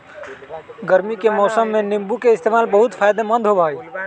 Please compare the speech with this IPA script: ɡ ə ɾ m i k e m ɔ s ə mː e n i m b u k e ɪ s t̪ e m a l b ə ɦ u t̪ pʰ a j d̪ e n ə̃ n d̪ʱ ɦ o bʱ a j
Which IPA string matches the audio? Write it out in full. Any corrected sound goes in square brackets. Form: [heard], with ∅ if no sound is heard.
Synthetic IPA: ɡ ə ɾ m i k e m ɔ s ə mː e n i m b u k e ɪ s t̪ e m a l b ə ɦ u t̪ pʰ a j d̪ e [m] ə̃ n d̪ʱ ɦ o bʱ a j

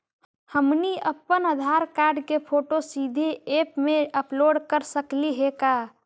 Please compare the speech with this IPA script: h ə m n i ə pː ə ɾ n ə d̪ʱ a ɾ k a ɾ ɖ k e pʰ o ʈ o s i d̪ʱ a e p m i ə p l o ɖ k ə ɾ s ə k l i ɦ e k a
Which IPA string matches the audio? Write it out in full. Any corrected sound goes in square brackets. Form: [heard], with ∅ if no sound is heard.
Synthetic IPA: h ə m n i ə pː ə [∅] n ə d̪ʱ a ɾ k a ɾ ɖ k e pʰ o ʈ o s i d̪ʱ [e] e p m [e] ə p l o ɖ k ə ɾ s ə k l i ɦ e k a

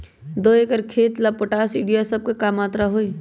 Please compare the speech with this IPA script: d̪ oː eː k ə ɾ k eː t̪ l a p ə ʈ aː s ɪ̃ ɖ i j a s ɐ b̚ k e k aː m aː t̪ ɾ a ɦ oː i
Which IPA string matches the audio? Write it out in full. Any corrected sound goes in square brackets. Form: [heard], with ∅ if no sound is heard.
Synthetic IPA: d̪ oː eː k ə ɾ [kʰ] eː t̪ l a p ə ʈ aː s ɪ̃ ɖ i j a s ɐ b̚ k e k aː m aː t̪ ɾ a ɦ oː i

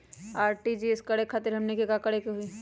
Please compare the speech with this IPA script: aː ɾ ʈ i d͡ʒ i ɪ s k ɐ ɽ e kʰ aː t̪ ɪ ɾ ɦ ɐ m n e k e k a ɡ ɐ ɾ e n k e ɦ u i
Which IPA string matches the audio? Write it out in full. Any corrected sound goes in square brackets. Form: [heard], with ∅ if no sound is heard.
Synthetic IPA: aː ɾ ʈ i d͡ʒ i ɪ s k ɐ ɽ e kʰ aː t̪ ɪ ɾ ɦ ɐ m n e k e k a [k] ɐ [ɽ] e [∅] k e ɦ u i

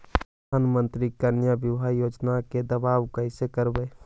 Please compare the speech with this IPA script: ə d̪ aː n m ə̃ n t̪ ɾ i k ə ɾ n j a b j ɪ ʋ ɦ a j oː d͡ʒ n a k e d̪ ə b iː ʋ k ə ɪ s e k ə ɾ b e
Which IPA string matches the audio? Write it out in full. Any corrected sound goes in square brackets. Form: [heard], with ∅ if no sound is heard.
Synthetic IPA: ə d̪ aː n m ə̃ n t̪ ɾ i k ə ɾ n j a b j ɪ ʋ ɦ a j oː d͡ʒ n a k e d̪ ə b [aː] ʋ k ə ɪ s e k ə ɾ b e

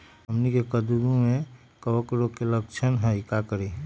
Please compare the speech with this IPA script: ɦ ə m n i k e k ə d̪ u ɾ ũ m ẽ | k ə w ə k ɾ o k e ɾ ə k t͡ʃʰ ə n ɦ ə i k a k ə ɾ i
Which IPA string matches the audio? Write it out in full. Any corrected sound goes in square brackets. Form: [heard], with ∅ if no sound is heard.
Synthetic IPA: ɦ ə m n i k e k ə d̪ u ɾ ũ m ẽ | k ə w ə k ɾ o k e [l] ə k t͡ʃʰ ə n ɦ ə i k a k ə ɾ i

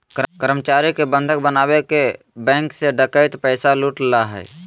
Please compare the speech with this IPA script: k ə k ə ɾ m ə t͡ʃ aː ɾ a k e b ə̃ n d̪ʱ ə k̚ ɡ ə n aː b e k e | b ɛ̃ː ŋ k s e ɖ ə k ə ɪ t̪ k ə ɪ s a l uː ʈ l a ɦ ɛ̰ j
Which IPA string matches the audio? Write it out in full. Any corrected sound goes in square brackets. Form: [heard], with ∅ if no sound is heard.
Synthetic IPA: k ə k ə ɾ m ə t͡ʃ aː ɾ [i] k e b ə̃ n d̪ʱ ə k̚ [b] ə n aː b e k e | b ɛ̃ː ŋ k s e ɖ ə k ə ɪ t̪ [p] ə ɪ s a l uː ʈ l a ɦ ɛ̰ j

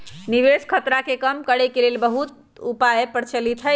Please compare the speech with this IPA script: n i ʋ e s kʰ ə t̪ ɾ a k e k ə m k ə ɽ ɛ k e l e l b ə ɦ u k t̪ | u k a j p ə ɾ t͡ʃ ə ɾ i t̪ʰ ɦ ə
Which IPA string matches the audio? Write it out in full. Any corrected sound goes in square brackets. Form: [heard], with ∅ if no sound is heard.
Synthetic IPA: n i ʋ e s kʰ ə t̪ ɾ a k e k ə m k ə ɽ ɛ k e l e l b ə ɦ u [∅] t̪ | u [p] a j p ə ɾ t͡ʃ ə [l] i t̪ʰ ɦ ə

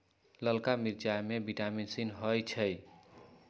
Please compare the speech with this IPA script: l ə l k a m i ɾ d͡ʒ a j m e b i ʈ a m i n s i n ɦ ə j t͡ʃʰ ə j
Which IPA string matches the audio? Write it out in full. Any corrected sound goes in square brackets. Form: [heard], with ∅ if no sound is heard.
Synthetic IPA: l ə l k a m i ɾ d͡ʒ a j m e b i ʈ a m i n s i n ɦ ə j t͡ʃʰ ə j

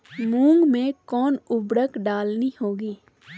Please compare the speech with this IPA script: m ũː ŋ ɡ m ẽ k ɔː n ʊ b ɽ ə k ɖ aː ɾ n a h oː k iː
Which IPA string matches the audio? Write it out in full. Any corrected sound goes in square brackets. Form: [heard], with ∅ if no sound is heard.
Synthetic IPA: m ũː ŋ ɡ m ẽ k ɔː n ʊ b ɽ ə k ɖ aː [l] n [i] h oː [ɡ] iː

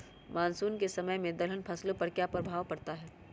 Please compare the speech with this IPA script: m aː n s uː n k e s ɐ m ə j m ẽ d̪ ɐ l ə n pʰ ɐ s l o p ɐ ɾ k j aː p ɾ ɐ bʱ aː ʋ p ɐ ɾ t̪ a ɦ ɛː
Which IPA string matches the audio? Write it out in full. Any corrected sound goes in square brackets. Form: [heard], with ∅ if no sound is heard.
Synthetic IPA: m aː n s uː n k e s ɐ m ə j m ẽ d̪ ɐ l ə n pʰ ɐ s l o p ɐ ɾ k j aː p ɾ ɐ bʱ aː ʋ p ɐ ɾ t̪ a ɦ ɛː

